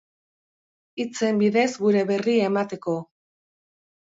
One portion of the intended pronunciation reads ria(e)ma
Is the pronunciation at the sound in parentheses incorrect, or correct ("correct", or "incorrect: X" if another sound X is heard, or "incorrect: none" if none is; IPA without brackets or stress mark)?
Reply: correct